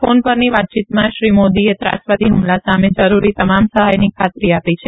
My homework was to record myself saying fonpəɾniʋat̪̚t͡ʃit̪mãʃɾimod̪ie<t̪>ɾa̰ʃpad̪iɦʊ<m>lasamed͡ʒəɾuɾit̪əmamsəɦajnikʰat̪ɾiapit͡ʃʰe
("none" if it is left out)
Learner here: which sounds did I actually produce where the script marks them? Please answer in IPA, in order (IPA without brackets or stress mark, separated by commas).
t̪, m